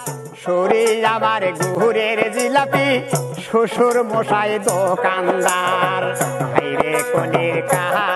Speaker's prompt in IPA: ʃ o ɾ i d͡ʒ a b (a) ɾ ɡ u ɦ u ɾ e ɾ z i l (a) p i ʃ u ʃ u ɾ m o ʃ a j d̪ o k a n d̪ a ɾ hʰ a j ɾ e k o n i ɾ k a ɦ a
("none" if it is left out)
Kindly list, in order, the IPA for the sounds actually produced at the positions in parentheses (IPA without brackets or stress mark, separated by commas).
a, a